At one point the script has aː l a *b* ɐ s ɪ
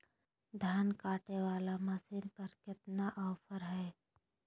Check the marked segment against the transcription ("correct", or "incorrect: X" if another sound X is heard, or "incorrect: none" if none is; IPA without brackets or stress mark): incorrect: m